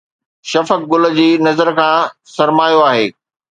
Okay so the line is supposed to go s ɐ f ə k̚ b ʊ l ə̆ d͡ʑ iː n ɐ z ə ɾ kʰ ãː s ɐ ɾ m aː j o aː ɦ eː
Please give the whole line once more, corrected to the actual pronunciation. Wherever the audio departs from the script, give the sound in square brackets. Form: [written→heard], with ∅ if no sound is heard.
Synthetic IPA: [s→ʃ] ɐ f ə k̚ [b→ɡ] ʊ l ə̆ d͡ʑ iː n ɐ z ə ɾ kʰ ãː s ɐ ɾ m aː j o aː ɦ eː

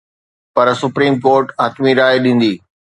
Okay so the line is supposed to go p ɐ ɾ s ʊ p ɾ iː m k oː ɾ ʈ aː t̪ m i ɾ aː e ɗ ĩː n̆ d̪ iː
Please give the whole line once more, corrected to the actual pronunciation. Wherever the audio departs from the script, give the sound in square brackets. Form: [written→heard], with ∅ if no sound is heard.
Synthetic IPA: p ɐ ɾ s ʊ p ɾ iː m k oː ɾ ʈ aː t̪ m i ɾ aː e ɗ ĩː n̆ d̪ iː

